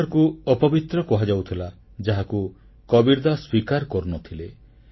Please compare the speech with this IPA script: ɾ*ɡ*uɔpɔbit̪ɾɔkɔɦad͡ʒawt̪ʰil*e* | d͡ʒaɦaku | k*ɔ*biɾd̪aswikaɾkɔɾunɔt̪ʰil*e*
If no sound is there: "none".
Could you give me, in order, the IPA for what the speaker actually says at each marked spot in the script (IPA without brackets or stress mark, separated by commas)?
k, a, ɔ, e